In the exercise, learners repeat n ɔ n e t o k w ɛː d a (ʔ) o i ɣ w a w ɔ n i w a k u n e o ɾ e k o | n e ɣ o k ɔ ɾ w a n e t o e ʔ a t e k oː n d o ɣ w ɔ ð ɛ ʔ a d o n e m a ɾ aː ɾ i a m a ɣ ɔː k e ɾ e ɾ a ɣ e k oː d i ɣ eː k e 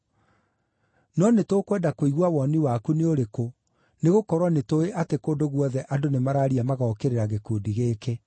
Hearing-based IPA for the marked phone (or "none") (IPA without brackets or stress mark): k